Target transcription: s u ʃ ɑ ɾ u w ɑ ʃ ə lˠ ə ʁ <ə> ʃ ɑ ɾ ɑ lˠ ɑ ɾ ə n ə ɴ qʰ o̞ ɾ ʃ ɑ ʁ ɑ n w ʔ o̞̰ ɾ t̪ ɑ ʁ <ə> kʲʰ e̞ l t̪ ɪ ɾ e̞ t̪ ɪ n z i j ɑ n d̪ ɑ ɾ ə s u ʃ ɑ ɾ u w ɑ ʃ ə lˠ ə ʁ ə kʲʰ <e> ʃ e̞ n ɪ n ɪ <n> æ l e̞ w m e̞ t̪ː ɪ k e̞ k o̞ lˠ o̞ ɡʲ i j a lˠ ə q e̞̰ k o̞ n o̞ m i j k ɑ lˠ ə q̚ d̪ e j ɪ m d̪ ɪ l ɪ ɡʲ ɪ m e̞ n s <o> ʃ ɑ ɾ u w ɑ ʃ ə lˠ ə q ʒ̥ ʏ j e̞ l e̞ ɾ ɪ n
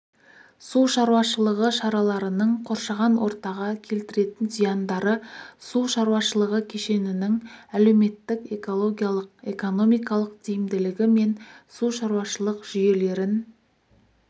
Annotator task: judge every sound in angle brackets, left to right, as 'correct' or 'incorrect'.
correct, incorrect: ɑ, correct, incorrect: ŋ, incorrect: u

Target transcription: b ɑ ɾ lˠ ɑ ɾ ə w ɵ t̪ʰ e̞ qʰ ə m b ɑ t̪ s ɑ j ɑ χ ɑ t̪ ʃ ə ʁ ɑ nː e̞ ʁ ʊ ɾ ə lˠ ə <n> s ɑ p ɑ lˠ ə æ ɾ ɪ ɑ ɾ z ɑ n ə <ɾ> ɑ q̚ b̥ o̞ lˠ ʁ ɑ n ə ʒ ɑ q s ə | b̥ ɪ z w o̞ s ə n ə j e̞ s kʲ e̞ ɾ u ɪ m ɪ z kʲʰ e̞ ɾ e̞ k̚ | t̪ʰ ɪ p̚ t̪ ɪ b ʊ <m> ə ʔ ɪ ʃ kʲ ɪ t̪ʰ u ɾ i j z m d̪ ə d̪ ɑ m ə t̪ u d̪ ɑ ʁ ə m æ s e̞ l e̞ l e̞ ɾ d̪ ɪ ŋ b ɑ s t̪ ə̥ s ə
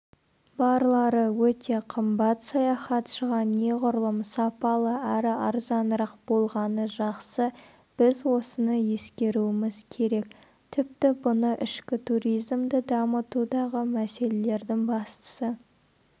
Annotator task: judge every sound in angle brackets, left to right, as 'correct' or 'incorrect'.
incorrect: m, correct, incorrect: n

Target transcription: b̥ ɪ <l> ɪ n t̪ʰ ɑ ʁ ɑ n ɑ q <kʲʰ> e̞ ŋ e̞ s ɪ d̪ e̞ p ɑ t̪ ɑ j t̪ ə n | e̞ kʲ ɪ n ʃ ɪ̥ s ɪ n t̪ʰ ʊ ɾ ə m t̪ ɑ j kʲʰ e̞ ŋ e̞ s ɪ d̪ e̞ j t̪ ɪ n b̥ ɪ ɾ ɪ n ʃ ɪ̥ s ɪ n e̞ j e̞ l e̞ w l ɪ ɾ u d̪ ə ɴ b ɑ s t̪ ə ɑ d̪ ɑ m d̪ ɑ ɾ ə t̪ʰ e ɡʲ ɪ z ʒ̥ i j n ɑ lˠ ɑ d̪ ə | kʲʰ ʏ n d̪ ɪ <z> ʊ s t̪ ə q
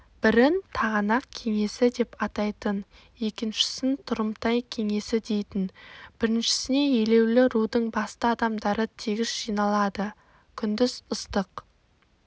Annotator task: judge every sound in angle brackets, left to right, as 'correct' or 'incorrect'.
incorrect: ɾ, correct, correct

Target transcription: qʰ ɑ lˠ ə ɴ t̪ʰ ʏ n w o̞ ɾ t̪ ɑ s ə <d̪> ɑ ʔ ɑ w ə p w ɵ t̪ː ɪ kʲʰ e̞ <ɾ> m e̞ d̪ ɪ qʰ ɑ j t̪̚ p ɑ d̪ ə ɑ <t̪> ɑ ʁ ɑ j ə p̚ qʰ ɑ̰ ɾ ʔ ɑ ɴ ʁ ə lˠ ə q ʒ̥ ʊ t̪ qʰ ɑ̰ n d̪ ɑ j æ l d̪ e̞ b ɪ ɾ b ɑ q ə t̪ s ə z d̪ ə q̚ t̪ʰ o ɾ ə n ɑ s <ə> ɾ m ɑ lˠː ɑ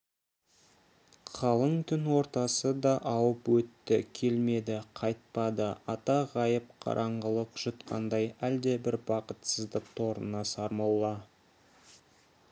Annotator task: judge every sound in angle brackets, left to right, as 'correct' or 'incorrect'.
correct, incorrect: l, correct, incorrect: ɑ

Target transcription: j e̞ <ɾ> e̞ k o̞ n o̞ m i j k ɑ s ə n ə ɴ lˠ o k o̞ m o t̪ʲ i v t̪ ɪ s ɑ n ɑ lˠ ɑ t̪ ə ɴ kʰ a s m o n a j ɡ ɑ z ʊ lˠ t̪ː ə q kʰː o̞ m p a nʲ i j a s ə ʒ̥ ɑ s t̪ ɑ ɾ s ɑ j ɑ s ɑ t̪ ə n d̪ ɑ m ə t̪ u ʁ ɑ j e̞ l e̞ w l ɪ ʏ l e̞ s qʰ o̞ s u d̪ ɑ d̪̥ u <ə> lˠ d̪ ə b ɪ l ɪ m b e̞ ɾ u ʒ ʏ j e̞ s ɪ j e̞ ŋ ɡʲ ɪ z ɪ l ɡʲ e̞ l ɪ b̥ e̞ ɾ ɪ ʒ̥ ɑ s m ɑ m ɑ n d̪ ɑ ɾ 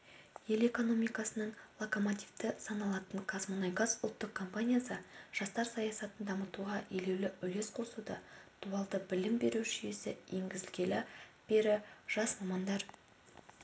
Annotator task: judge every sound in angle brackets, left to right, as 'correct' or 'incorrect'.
incorrect: l, incorrect: ɑ

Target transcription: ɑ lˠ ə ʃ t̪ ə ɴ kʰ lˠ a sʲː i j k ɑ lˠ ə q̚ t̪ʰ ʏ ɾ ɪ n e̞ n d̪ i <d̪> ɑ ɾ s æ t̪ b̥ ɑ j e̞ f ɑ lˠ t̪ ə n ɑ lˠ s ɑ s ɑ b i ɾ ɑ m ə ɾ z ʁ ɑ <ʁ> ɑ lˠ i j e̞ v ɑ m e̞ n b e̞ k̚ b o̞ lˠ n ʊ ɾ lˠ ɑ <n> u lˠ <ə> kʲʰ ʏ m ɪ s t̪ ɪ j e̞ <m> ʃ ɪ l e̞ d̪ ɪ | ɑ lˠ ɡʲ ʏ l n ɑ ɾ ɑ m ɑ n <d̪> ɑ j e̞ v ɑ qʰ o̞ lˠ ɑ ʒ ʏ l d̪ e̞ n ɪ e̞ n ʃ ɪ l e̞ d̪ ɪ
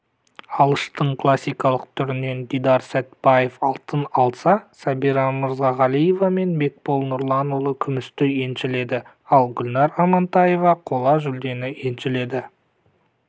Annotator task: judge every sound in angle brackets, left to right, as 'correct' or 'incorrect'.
correct, correct, correct, correct, incorrect: n, incorrect: t̪

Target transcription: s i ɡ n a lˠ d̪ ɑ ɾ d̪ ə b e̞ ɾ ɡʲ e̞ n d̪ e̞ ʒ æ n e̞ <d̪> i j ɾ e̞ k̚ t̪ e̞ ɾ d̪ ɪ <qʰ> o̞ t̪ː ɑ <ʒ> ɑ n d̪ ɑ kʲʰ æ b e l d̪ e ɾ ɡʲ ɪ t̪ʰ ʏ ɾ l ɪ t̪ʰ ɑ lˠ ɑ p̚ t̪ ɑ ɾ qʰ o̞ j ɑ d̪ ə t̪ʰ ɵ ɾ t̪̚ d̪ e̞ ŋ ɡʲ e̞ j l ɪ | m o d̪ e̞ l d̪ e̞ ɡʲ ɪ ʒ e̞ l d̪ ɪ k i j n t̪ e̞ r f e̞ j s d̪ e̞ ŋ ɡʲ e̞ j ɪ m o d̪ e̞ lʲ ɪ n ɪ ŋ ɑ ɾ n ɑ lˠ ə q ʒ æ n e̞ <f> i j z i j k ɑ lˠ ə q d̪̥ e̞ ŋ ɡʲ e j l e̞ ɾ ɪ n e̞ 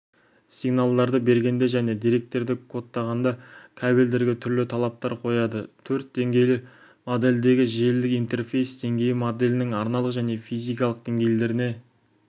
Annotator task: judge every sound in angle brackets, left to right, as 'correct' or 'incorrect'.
correct, incorrect: kʰ, incorrect: ʁ, correct

